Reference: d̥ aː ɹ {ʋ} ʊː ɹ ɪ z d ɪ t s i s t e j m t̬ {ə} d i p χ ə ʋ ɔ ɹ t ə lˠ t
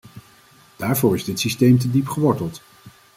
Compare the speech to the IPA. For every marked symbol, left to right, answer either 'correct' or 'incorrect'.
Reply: incorrect, correct

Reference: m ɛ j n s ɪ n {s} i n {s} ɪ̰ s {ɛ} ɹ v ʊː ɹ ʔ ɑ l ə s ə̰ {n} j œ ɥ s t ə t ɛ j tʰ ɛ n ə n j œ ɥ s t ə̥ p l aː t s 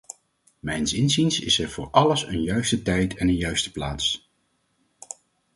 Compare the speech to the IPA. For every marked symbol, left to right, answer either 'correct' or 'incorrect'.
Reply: incorrect, correct, correct, correct

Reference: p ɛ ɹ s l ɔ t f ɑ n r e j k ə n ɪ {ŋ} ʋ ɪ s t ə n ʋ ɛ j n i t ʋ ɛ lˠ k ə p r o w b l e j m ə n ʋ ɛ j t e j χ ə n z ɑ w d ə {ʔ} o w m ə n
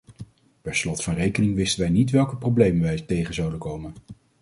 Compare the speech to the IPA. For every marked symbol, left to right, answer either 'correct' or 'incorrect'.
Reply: correct, incorrect

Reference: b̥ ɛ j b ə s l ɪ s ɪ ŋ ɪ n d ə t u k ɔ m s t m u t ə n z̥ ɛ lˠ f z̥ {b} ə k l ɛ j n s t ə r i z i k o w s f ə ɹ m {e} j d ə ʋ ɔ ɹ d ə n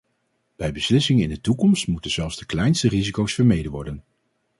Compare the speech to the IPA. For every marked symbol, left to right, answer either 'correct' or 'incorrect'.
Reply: incorrect, correct

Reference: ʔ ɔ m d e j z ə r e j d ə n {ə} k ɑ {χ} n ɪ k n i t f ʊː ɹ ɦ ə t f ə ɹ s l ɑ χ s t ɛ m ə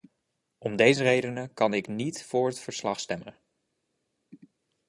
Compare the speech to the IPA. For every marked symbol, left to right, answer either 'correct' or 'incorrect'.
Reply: correct, incorrect

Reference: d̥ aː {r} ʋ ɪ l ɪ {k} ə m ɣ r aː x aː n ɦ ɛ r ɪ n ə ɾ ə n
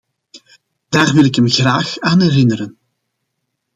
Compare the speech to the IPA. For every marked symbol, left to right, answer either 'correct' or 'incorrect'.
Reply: correct, correct

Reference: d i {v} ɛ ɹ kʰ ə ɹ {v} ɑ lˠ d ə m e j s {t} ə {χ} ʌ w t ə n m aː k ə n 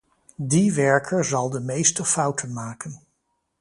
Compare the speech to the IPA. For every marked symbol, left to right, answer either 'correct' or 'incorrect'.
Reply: incorrect, incorrect, correct, incorrect

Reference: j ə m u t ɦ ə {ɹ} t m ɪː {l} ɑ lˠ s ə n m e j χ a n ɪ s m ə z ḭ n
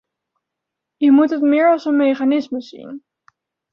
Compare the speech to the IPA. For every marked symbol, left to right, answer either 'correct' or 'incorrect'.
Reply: incorrect, incorrect

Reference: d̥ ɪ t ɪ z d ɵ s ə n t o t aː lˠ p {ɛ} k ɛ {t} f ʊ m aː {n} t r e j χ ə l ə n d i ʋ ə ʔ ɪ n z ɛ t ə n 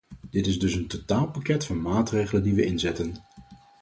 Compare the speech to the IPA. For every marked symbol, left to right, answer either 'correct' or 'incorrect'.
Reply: incorrect, correct, incorrect

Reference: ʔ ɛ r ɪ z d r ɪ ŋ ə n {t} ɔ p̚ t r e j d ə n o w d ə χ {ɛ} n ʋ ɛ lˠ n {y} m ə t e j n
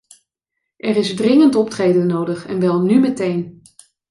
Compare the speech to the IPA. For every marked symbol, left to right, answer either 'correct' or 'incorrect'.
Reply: correct, correct, correct

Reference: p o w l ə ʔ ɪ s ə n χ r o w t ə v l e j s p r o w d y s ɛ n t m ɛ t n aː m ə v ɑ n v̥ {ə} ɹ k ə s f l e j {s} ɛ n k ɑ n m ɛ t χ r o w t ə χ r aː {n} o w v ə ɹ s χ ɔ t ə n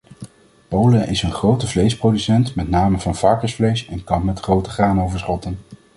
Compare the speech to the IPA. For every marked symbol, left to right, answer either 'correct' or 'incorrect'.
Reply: incorrect, correct, correct

